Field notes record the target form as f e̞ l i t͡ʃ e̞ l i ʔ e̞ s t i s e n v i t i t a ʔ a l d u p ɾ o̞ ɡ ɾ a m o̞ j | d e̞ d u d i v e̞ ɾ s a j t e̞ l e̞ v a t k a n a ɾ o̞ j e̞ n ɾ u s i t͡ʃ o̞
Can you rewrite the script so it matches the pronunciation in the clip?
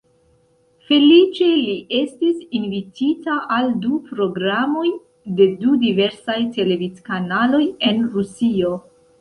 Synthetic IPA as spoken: f e̞ l i t͡ʃ e̞ l i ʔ e̞ s t i s i n v i t i t a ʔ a l d u p ɾ o̞ ɡ ɾ a m o̞ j | d e̞ d u d i v e̞ ɾ s a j t e̞ l e̞ v i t k a n a l o̞ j e̞ n ɾ u s i o̞